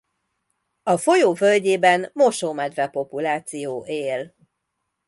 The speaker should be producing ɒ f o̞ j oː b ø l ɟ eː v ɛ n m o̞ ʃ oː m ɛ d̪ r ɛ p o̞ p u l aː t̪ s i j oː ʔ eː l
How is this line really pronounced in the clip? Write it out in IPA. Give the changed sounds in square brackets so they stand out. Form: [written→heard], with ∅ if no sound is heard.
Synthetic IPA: ɒ f o̞ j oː [b→v] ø l ɟ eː [v→b] ɛ n m o̞ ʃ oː m ɛ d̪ r ɛ p o̞ p u l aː t̪ s i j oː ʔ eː l